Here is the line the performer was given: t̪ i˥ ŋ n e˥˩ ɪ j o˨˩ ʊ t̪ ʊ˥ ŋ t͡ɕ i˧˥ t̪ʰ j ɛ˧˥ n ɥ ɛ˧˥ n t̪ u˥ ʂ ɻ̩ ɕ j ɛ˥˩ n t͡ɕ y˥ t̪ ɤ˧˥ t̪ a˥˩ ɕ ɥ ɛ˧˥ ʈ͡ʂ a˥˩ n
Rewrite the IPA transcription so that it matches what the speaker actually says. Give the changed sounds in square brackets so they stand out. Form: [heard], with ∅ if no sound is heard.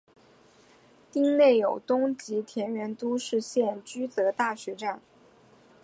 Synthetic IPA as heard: t̪ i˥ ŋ n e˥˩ ɪ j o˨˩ ʊ t̪ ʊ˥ ŋ t͡ɕ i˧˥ t̪ʰ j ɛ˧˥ n ɥ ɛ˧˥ n t̪ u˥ ʂ ɻ̩ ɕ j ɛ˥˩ n t͡ɕ y˥ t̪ ɤ˧˥ t̪ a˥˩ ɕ ɥ ɛ˧˥ ʈ͡ʂ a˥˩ n